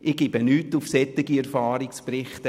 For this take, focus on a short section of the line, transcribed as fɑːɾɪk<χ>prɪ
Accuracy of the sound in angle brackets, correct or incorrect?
incorrect